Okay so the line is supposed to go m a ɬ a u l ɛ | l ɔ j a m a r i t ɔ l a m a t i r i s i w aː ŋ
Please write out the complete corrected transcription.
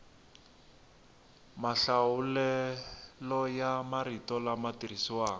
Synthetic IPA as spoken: m a ɬ a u l ɛ | l ɔ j a m a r i t ɔ l a m a t i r i s i w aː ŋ